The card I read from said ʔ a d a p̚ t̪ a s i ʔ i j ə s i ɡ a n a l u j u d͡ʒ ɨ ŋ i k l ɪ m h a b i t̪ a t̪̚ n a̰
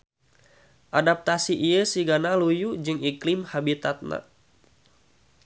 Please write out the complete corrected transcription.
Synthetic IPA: ʔ a d a p̚ t̪ a s i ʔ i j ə s i ɡ a n a l u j u d͡ʒ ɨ ŋ i k l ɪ m h a b i t̪ a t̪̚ n a̰